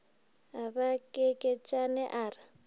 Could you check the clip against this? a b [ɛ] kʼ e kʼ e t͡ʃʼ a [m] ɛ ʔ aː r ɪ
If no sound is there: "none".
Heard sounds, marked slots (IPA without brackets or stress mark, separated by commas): a, n